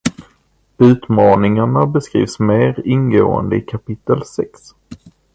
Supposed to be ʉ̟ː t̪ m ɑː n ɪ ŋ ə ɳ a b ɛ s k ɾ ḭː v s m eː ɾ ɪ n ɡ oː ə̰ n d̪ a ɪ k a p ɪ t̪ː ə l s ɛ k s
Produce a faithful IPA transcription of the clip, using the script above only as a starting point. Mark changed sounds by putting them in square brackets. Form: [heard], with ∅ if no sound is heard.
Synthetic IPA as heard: ʉ̟ː t̪ m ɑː n ɪ ŋ [a] ɳ a b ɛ s k ɾ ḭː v s m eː ɾ ɪ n ɡ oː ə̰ n d̪ [ə] ɪ [kʰ] a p ɪ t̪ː ə l s ɛ k s